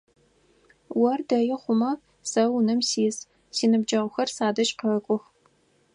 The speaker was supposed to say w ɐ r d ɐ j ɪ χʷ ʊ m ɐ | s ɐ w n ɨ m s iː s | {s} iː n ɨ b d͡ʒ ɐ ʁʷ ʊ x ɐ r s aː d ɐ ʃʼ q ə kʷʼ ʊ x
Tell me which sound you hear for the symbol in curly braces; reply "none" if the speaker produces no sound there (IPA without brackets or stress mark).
s